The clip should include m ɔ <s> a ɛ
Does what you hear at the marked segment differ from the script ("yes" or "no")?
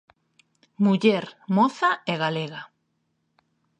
yes